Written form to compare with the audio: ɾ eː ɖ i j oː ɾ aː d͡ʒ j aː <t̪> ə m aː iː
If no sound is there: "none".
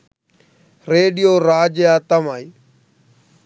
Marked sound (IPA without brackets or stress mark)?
t̪